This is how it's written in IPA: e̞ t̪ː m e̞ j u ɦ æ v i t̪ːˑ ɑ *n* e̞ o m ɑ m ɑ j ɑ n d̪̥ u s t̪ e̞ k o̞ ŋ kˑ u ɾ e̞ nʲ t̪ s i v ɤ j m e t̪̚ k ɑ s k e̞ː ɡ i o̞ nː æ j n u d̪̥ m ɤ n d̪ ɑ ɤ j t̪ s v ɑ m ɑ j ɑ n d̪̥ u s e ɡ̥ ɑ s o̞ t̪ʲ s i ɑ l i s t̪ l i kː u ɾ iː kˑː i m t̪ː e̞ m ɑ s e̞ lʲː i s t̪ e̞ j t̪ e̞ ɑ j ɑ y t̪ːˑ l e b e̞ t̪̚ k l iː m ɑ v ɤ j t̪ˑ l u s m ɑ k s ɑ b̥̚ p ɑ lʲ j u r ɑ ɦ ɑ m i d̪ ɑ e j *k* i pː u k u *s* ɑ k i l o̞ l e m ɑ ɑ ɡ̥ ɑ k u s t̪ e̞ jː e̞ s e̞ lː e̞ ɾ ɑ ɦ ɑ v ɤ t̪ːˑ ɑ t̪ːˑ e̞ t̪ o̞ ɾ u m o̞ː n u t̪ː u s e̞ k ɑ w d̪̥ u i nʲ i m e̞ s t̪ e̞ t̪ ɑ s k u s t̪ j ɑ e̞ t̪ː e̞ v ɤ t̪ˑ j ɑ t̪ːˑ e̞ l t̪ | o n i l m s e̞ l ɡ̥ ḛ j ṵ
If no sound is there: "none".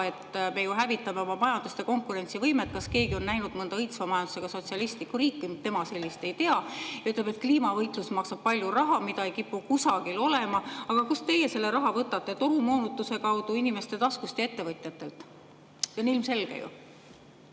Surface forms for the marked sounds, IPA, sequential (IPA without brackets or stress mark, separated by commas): m, k, s